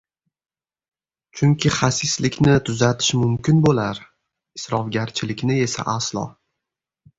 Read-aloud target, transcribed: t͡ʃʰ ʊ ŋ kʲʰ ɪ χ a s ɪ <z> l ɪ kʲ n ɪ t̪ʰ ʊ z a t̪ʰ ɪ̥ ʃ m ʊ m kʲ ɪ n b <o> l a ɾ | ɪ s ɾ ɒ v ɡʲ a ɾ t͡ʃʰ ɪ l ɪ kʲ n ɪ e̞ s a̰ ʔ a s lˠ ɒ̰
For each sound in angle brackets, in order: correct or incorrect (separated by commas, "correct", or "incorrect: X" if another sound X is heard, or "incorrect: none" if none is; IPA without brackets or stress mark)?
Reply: incorrect: s, correct